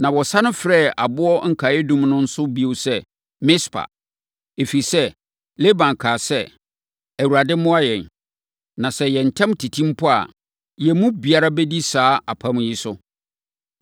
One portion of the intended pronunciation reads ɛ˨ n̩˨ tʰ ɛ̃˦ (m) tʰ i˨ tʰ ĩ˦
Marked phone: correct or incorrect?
correct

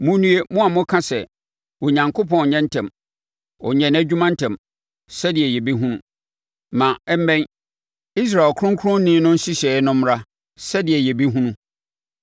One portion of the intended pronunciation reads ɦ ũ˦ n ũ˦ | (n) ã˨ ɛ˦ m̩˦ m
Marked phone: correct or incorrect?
incorrect: m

